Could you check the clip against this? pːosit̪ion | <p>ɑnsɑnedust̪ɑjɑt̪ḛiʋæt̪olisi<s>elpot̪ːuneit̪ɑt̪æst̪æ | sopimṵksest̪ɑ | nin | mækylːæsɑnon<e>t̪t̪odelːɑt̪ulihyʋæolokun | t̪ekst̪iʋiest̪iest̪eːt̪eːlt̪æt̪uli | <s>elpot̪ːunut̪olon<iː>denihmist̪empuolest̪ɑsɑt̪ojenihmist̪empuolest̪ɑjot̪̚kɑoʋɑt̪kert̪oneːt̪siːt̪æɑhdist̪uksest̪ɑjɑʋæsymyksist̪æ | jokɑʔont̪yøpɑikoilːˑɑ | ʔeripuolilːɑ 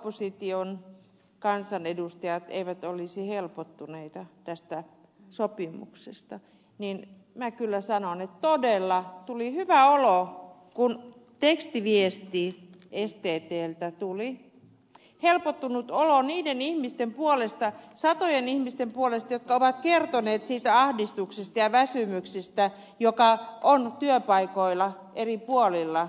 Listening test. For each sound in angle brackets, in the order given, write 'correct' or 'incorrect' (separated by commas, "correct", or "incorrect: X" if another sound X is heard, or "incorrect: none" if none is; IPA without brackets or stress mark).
incorrect: k, incorrect: h, correct, incorrect: h, correct